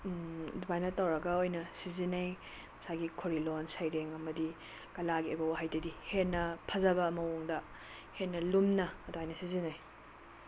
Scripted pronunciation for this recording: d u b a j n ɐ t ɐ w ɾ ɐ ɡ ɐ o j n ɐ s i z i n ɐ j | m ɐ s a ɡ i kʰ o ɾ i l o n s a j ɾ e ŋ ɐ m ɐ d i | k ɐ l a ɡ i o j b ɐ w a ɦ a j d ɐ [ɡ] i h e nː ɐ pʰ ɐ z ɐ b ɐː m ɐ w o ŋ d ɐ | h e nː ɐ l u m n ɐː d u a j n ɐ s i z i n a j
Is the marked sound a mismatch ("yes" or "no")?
yes